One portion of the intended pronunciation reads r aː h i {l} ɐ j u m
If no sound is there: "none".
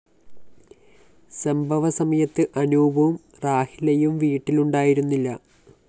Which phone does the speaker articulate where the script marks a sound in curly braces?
l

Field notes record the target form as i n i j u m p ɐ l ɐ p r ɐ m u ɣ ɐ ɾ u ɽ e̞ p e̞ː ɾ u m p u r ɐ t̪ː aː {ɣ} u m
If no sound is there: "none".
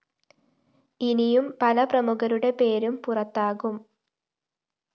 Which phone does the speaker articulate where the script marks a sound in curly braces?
ɣ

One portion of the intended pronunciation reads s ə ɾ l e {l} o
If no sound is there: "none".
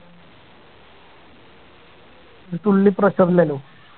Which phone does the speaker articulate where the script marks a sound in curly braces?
l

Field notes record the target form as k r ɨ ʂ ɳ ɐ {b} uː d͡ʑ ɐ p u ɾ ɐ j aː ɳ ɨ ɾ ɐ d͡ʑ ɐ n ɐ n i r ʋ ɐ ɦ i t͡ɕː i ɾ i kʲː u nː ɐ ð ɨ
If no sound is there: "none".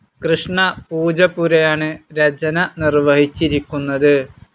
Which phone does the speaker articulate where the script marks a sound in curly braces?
p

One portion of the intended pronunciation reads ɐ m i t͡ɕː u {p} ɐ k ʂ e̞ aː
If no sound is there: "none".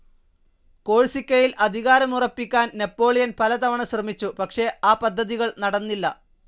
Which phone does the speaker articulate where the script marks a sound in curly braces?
p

